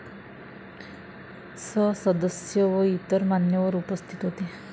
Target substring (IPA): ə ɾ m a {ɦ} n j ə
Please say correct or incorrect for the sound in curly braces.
incorrect